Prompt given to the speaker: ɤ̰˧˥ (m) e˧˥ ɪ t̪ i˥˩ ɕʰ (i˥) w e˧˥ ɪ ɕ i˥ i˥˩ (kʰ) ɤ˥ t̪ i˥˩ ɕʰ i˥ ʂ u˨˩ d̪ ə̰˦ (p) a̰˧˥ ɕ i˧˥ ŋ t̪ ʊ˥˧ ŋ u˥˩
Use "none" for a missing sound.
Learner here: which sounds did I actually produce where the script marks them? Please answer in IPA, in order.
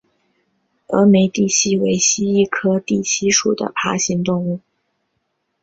m, i˥, kʰ, pʰ

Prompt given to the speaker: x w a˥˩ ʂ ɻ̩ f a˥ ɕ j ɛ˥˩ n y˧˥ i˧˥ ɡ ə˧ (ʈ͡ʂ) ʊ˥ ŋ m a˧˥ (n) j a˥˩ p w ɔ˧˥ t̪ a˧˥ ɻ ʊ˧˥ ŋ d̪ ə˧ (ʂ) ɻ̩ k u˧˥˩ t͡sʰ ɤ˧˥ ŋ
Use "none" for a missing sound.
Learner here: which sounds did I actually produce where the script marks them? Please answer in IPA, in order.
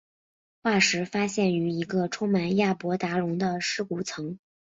ʈ͡ʂʰ, n, ʂ

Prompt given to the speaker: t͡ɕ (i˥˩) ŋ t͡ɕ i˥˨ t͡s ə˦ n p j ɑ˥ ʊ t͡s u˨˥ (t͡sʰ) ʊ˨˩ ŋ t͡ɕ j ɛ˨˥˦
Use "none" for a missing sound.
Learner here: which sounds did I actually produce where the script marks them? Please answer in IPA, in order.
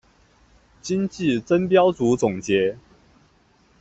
i˦, t͡s

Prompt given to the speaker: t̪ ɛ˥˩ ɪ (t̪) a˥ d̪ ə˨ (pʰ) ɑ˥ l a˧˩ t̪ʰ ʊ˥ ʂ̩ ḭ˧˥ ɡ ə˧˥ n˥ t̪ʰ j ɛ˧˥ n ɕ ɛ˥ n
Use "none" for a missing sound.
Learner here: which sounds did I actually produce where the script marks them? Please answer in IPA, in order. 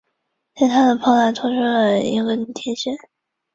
t̪ʰ, pʰ

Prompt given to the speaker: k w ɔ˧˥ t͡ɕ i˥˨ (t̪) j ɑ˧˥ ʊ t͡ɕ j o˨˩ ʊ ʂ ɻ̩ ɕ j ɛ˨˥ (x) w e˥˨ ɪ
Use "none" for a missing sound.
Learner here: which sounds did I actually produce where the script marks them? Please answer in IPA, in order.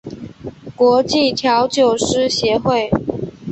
t̪ʰ, x

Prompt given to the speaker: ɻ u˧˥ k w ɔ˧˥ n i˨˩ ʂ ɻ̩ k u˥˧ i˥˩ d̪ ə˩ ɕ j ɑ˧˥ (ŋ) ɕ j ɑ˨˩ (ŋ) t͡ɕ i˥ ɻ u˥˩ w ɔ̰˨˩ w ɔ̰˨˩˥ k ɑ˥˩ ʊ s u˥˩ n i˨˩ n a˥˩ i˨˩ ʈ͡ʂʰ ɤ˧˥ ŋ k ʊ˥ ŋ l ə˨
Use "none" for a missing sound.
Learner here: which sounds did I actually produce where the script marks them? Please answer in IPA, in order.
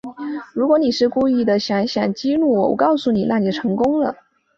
ŋ, ŋ

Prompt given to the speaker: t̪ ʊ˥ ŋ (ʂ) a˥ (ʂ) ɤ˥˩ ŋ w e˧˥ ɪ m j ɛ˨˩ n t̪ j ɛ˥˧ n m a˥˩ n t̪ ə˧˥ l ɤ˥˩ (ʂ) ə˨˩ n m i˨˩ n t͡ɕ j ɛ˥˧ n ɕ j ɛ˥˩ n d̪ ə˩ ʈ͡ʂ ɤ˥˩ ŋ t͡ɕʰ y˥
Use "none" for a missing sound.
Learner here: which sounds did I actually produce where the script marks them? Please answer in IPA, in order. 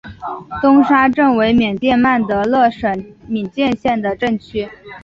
ʂ, ʈ͡ʂ, ʂ

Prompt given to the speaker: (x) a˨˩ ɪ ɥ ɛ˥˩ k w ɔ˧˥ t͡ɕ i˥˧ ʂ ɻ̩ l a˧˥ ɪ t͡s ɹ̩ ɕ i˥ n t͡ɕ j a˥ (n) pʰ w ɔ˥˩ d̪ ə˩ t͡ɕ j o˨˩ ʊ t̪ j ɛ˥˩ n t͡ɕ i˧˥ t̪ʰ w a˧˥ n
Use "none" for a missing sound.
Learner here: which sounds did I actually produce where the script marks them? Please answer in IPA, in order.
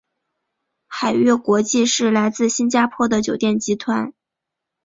x, none

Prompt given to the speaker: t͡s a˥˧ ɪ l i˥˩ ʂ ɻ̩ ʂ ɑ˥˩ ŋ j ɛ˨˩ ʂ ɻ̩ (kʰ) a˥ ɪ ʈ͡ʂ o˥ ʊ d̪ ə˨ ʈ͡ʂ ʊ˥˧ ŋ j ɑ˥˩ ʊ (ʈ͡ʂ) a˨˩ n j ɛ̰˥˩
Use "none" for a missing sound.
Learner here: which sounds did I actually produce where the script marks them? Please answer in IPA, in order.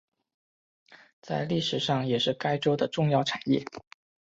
k, ʈ͡ʂʰ

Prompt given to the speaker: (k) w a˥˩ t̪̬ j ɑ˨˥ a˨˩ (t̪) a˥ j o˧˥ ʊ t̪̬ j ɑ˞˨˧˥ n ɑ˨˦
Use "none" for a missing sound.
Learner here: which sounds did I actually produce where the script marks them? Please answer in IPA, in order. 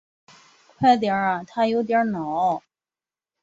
kʰ, t̪ʰ

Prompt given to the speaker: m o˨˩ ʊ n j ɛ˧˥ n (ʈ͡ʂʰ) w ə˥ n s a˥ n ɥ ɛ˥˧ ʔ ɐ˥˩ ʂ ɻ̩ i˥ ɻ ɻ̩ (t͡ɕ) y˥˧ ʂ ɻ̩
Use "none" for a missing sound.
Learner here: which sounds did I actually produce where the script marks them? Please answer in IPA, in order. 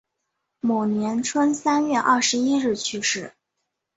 ʈ͡ʂʰ, t͡ɕʰ

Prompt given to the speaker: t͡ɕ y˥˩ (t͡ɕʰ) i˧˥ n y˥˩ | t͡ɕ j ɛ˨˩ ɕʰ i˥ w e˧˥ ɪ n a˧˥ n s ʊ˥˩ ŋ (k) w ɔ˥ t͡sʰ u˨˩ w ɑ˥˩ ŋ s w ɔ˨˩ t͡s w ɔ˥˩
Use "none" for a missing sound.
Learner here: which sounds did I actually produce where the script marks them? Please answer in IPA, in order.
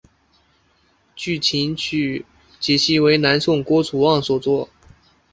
t͡ɕʰ, k

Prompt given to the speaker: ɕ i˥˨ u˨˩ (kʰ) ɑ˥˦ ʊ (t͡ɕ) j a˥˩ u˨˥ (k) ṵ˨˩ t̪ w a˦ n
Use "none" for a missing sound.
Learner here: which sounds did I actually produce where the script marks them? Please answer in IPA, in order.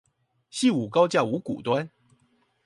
k, t͡ɕ, k

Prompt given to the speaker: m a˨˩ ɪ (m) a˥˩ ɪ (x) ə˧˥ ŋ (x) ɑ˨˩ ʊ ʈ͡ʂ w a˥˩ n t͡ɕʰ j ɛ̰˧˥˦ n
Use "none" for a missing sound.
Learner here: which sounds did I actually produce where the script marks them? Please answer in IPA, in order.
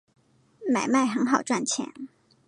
m, x, x

